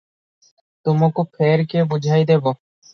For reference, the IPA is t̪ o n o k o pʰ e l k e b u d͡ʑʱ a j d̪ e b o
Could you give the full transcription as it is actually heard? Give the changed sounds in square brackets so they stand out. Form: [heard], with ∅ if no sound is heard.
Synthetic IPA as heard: t̪ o [m] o k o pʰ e [ɾ] k e b u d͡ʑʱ a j d̪ e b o